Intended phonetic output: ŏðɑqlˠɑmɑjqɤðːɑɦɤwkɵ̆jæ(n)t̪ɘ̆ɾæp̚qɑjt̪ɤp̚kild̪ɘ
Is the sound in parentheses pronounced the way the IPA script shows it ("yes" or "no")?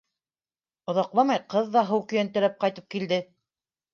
yes